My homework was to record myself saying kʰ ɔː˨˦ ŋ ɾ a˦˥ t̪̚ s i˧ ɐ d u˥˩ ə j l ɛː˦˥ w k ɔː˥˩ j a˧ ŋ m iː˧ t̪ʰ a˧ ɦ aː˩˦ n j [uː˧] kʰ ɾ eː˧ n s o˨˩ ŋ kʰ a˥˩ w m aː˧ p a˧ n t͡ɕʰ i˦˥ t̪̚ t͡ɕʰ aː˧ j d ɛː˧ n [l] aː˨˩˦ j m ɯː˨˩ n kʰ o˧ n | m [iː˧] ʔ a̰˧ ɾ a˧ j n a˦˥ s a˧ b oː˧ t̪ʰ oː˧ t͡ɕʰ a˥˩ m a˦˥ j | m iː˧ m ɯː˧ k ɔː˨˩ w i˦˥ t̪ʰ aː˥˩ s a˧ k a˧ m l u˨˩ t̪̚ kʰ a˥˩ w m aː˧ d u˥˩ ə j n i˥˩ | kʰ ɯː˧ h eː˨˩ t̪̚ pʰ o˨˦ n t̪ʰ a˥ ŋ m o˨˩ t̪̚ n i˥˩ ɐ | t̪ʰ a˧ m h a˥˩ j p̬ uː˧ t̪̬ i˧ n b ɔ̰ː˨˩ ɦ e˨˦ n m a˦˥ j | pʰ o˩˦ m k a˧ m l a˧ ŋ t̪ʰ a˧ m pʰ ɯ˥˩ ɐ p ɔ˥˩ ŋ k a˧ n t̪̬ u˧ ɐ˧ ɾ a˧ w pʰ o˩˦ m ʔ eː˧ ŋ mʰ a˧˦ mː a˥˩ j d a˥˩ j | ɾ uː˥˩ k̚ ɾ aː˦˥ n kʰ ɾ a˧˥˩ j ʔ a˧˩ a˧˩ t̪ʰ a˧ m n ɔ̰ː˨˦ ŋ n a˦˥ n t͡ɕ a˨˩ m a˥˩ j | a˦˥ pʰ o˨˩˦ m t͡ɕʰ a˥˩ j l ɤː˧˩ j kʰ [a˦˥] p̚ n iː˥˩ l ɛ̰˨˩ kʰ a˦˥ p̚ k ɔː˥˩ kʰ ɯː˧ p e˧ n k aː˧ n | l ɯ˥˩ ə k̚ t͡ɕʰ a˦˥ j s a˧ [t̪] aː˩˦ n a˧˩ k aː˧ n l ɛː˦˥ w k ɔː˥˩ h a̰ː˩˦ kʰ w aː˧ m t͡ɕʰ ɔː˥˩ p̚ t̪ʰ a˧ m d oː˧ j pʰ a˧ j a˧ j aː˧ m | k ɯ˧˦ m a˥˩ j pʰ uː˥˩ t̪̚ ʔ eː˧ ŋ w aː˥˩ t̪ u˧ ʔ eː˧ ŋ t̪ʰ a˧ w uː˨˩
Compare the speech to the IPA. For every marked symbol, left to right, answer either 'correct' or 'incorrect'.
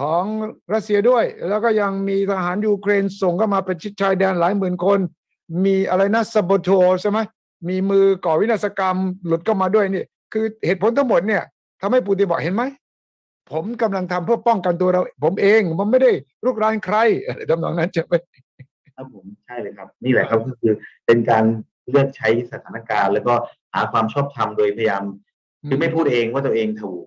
correct, correct, correct, correct, incorrect

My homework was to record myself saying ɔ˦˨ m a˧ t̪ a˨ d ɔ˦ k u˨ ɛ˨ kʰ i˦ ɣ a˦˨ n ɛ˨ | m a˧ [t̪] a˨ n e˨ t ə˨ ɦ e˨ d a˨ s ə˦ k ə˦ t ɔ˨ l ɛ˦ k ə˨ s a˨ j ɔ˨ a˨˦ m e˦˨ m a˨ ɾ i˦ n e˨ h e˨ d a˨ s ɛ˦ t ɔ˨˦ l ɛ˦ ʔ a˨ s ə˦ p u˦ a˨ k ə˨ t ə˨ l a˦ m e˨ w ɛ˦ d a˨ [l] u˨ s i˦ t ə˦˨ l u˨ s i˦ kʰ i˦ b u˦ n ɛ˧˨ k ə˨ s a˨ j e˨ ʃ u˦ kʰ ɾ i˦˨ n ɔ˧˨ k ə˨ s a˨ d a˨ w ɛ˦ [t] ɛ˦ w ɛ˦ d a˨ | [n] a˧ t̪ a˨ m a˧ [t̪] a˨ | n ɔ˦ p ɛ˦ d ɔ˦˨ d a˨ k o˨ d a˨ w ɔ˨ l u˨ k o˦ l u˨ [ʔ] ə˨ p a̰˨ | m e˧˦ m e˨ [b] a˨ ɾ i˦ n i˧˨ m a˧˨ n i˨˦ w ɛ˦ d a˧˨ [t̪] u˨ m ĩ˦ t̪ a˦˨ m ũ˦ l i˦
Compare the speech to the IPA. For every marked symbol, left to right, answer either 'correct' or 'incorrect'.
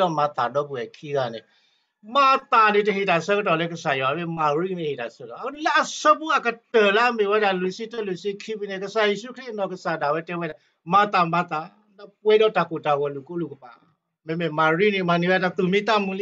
correct, correct, correct, incorrect, correct, incorrect, incorrect, correct

